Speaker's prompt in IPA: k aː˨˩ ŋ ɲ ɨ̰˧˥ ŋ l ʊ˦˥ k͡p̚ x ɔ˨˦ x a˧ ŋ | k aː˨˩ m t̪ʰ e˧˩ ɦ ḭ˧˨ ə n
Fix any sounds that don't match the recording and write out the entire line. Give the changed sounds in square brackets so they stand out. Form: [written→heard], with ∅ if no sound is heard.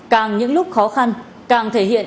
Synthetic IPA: k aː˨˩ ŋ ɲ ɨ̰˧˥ ŋ l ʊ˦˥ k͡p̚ x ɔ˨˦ x a˧ [ŋ→n] | k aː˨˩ [m→ŋ] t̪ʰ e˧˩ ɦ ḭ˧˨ ə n